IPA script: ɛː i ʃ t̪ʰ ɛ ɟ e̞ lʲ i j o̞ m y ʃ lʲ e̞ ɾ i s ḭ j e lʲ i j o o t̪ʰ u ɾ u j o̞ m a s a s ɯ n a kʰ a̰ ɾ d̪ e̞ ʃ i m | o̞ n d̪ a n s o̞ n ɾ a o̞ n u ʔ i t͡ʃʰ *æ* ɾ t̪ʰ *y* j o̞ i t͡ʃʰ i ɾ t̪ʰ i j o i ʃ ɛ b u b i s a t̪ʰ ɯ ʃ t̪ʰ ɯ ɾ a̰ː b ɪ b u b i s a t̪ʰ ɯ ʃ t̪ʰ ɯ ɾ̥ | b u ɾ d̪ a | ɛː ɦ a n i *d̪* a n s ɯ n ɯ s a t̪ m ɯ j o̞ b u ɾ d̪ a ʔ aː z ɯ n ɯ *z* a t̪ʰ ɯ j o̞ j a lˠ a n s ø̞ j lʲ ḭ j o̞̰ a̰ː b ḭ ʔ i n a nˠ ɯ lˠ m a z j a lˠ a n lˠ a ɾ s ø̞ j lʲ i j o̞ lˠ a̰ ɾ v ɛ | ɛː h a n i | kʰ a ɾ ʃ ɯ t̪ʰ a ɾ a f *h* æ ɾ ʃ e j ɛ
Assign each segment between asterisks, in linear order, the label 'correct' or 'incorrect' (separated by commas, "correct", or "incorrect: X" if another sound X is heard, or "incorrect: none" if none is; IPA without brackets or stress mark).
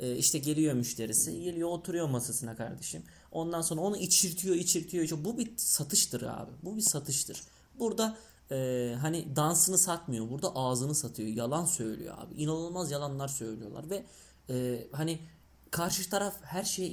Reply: incorrect: i, incorrect: i, correct, incorrect: s, correct